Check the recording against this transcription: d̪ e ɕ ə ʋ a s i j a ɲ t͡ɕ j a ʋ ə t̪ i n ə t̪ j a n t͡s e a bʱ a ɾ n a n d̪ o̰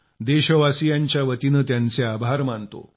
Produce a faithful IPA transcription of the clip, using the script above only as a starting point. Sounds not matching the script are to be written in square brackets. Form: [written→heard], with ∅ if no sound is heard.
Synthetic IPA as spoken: d̪ e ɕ ə ʋ a s i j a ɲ t͡ɕ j a ʋ ə t̪ i n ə t̪ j a n t͡s e a bʱ a ɾ [n→m] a n [d̪→t̪] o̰

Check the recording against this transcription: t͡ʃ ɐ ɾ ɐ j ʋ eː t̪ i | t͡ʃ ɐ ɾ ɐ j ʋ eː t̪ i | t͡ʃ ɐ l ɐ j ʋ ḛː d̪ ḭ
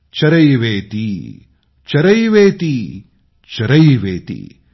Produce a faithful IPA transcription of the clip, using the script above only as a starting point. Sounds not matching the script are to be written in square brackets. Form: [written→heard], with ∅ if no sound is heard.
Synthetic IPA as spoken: t͡ʃ ɐ ɾ ɐ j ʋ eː t̪ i | t͡ʃ ɐ ɾ ɐ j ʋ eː t̪ i | t͡ʃ ɐ [l→ɾ] ɐ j ʋ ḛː [d̪→t̪] ḭ

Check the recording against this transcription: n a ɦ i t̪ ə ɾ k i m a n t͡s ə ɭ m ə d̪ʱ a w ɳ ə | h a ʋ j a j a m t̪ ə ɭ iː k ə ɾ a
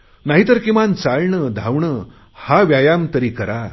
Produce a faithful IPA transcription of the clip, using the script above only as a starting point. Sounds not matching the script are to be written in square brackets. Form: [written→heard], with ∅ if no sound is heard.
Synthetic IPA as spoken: n a ɦ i t̪ ə ɾ k i m a n t͡s [ə→a] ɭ [m→ɳ] ə d̪ʱ a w ɳ ə | h a ʋ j a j a m t̪ ə [ɭ→ɾ] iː k ə ɾ a

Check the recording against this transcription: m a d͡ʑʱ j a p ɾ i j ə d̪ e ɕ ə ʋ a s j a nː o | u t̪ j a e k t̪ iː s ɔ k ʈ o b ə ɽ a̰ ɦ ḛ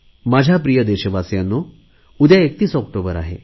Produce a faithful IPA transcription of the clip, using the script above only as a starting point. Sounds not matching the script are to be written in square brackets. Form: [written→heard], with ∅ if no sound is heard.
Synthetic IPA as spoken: m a d͡ʑʱ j a p ɾ i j ə d̪ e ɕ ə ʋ a s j a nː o | u [t̪→d̪] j a e k t̪ iː s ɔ k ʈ o b ə [ɽ→ɾ] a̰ ɦ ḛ

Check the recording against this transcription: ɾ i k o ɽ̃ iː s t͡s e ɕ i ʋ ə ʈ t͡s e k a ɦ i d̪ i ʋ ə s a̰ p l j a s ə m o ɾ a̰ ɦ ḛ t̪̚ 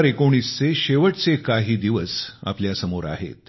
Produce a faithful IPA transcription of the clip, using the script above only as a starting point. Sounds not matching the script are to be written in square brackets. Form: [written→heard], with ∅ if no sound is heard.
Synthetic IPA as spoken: ɾ [i→e] k o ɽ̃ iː s t͡s e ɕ [i→e] ʋ ə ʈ t͡s e k a ɦ [i→iː] d̪ i ʋ ə s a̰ p l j a s ə m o ɾ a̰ ɦ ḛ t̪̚

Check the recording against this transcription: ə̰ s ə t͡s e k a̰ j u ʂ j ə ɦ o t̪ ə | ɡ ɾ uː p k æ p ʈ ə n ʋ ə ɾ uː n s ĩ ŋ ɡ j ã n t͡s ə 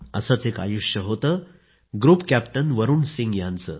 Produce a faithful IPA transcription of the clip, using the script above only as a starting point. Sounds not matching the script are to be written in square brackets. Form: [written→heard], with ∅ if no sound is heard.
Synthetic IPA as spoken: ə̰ s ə t͡s e k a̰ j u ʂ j ə ɦ o t̪ ə | ɡ ɾ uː p k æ p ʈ ə n ʋ ə ɾ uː n s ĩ ŋ ɡ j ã n t͡s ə

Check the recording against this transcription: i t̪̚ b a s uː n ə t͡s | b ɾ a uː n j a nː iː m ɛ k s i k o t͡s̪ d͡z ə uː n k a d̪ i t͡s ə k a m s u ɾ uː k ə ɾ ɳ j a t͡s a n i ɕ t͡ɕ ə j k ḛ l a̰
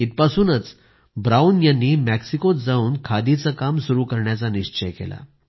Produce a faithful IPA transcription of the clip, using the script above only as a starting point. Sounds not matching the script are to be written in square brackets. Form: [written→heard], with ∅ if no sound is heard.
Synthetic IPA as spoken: i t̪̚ [b→p] a s uː n ə t͡s | b ɾ a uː n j a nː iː m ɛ k s i k o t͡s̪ d͡z [ə→a] uː n [k→kʰ] a d̪ i t͡s ə k a m s u ɾ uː k ə ɾ ɳ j a t͡s a n i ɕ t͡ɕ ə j k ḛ l a̰

